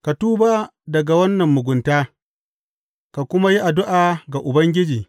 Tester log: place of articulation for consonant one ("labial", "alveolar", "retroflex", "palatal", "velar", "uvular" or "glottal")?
velar